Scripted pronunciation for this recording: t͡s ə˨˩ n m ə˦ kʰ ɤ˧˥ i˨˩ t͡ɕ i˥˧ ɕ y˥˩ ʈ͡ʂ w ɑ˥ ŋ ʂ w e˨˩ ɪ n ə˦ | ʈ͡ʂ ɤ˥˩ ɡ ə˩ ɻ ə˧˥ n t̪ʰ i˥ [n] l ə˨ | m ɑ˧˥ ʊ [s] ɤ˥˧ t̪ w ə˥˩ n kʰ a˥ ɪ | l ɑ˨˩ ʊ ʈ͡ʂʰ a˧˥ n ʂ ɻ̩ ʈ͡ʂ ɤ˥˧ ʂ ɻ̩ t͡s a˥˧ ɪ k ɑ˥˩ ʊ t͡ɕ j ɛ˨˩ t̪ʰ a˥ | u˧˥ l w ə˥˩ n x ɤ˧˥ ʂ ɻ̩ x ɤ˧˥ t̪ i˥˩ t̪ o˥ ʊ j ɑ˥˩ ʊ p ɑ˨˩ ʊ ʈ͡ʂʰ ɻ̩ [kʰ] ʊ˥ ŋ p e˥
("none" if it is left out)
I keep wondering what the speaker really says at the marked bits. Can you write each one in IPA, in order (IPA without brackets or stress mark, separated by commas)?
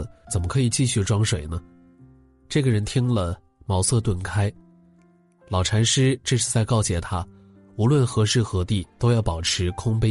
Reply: ŋ, s, kʰ